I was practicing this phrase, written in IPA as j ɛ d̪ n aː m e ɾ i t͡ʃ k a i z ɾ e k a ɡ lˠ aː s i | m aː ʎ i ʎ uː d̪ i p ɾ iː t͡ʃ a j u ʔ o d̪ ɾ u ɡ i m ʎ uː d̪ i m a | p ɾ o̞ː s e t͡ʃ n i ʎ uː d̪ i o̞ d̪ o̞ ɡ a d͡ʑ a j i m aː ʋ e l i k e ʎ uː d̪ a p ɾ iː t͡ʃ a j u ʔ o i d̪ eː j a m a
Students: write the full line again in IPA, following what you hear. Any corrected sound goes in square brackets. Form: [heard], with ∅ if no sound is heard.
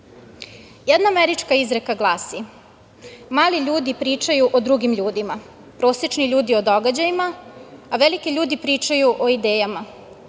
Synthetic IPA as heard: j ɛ d̪ n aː m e ɾ i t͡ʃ k a i z ɾ e k a ɡ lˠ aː s i | m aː [l] i ʎ uː d̪ i p ɾ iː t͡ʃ a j u ʔ o d̪ ɾ u ɡ i m ʎ uː d̪ i m a | p ɾ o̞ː s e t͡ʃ n i ʎ uː d̪ i o̞ d̪ o̞ ɡ a d͡ʑ a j i m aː ʋ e l i k e ʎ uː d̪ [i] p ɾ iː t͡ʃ a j u ʔ o i d̪ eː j a m a